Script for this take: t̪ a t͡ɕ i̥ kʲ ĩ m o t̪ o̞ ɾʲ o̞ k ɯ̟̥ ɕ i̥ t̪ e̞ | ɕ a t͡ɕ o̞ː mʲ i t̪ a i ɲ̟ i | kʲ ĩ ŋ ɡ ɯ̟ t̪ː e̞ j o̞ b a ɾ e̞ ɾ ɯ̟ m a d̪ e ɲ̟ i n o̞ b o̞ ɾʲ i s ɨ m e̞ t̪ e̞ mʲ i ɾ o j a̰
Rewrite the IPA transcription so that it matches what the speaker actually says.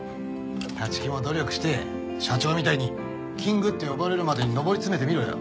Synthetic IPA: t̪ a t͡ɕ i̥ kʲ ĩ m o d̪ o̞ ɾʲ o̞ k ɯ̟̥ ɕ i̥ t̪ e̞ | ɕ a t͡ɕ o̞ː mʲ i t̪ a i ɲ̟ i | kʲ ĩ ŋ ɡ ɯ̟ t̪ː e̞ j o̞ b a ɾ e̞ ɾ ɯ̟ m a d̪ e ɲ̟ i n o̞ b o̞ ɾʲ i t͡s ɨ m e̞ t̪ e̞ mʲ i ɾ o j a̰